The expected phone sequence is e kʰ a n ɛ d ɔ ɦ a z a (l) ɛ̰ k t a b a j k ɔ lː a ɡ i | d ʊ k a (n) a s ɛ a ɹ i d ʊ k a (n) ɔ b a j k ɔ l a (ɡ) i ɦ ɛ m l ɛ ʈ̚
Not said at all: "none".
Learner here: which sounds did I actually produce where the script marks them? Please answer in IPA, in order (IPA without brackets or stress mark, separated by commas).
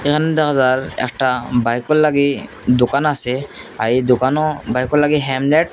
ɹ, n, n, ɡ